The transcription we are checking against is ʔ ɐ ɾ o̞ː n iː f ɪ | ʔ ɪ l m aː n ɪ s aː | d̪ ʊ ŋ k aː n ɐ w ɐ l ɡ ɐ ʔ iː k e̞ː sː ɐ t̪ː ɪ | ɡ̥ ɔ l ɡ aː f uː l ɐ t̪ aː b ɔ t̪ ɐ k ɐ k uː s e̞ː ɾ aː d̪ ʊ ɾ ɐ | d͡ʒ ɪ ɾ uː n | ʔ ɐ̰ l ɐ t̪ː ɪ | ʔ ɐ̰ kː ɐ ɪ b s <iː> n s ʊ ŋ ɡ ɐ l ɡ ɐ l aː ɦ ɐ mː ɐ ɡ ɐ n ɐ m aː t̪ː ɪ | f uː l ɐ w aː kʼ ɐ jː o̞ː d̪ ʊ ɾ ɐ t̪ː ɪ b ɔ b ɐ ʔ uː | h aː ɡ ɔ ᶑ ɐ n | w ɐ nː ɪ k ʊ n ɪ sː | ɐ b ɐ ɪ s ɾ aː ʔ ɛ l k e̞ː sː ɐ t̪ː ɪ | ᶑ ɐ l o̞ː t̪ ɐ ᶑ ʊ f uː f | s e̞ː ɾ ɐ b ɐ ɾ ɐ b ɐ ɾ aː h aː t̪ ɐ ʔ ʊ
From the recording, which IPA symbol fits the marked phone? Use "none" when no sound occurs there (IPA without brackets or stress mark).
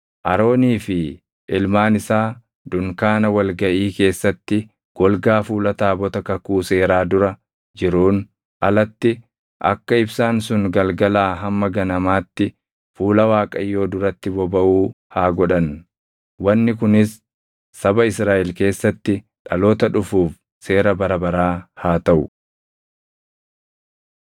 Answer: aː